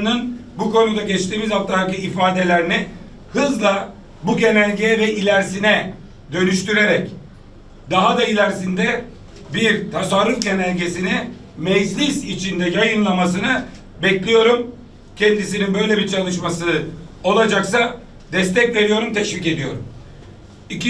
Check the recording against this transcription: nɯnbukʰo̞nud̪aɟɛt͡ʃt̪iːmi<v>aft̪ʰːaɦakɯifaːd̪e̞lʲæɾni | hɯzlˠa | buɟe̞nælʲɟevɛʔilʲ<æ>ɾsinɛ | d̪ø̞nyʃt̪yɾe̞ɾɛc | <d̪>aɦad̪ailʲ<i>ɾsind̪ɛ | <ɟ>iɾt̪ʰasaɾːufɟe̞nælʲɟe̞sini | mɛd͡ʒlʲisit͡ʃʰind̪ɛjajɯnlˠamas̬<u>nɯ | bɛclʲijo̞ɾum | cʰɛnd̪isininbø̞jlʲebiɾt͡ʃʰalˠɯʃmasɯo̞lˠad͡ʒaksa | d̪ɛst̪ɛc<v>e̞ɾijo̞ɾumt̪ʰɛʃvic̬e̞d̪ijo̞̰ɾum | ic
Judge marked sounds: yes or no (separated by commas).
no, yes, yes, no, no, no, yes